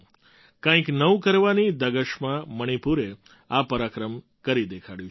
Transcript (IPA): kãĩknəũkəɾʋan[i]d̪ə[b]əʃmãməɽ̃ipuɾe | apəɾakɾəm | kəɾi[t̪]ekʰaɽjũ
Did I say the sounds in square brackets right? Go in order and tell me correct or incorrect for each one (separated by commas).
correct, incorrect, incorrect